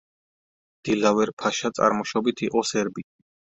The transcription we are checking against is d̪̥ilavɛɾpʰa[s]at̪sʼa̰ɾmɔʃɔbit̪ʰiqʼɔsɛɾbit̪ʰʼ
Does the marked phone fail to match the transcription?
yes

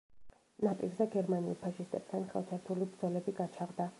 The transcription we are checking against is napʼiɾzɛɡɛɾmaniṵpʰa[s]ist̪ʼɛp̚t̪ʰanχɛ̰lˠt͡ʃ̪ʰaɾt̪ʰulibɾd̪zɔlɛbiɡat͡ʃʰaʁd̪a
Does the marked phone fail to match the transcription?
yes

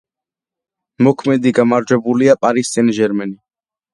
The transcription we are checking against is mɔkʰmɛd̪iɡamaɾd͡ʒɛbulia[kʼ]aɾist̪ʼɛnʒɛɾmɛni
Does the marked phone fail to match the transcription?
yes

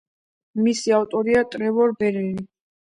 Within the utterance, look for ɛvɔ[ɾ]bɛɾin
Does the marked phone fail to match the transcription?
no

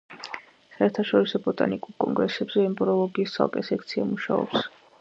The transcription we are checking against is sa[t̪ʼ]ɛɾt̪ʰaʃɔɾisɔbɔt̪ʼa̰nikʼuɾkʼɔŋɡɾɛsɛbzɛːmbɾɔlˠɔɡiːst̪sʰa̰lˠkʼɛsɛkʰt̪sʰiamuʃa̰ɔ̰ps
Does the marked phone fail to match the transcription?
yes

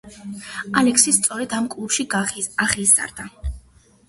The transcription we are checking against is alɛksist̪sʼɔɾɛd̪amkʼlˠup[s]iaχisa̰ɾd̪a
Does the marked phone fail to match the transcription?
yes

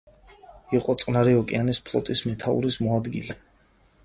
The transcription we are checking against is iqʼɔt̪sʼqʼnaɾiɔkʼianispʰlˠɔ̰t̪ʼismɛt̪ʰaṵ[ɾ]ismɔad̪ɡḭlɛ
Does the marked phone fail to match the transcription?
no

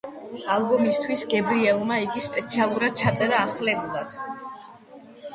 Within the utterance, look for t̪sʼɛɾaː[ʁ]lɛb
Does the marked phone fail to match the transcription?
yes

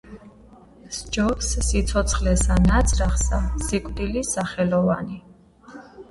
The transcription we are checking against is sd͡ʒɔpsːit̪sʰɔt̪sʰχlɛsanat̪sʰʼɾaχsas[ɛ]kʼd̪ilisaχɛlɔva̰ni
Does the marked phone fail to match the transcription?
yes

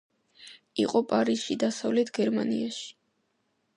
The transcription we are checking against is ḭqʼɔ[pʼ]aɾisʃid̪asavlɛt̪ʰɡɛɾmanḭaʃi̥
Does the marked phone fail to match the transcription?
no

